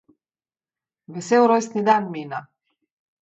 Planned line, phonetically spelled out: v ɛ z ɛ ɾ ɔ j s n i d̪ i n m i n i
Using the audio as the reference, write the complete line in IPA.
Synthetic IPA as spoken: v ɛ s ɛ ɾ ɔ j s n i d̪ a n m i n a

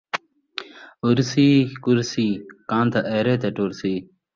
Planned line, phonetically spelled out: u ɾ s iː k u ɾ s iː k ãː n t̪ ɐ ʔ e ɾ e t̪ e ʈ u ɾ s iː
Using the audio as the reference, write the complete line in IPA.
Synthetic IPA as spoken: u ɾ s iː k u ɾ s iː k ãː n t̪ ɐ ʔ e ɾ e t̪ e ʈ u ɾ s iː

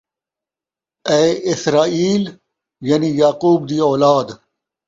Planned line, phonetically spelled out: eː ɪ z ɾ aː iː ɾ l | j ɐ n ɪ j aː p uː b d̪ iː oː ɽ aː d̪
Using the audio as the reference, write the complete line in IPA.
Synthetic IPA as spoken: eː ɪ s ɾ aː iː l | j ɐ n i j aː q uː b d̪ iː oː l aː d̪

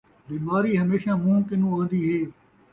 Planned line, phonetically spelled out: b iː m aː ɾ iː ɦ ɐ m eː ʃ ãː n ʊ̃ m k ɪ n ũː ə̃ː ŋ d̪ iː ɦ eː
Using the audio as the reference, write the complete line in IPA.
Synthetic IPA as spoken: b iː m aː ɾ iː ɦ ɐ m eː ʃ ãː m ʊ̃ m k ɪ n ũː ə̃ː n d̪ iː ɦ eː

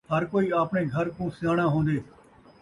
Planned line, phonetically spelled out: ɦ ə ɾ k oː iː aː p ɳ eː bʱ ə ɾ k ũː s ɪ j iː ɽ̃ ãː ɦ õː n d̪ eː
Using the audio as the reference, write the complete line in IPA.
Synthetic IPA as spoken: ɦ ə ɾ k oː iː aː p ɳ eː ɡʱ ə ɾ k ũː s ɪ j aː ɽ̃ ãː ɦ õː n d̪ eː

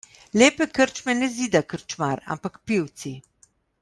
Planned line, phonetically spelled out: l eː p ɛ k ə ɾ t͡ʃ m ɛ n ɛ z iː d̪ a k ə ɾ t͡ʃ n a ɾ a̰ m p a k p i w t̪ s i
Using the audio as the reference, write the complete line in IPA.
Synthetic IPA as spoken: l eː p ɛ k ə ɾ t͡ʃ m ɛ n ɛ z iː d̪ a k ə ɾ t͡ʃ m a ɾ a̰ m p a k p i w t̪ s i

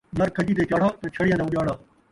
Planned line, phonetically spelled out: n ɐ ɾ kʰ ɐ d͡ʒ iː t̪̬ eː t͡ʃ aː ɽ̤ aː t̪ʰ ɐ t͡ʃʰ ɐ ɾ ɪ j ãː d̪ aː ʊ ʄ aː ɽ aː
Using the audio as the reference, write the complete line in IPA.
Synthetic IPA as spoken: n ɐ ɾ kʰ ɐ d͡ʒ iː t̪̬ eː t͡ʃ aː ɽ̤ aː t̪ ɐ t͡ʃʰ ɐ ɽ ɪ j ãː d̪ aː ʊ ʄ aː ɽ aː

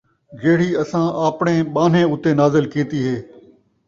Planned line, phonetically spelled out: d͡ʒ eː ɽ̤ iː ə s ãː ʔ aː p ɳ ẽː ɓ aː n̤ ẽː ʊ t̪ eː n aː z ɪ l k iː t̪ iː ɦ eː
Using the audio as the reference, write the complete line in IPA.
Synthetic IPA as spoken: d͡ʒ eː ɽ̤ iː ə s ãː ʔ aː p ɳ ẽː ɓ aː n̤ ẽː ʊ t̪ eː n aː z ɪ l k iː t̪ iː ɦ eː

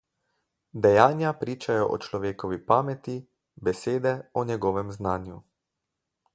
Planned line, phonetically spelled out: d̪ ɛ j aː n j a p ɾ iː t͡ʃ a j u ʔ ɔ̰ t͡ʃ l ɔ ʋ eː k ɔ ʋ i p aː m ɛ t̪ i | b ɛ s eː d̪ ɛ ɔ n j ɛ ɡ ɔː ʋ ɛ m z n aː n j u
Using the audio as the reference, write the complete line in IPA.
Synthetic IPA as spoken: d̪ ɛ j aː n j a p ɾ iː t͡ʃ a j ɔ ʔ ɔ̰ t͡ʃ l ɔ ʋ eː k ɔ ʋ i p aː m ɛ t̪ i | b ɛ s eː d̪ ɛ ɔ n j ɛ ɡ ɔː ʋ ɛ m z n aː n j u

